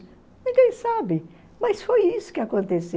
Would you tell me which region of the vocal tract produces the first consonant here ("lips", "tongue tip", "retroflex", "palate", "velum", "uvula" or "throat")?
tongue tip